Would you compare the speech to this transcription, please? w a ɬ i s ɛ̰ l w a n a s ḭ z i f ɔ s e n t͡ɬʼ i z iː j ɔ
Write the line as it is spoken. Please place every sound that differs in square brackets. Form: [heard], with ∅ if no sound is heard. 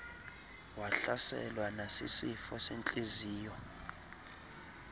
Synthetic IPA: w a ɬ [a] s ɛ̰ l w a n a s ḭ [s] i f ɔ s e n t͡ɬʼ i z iː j ɔ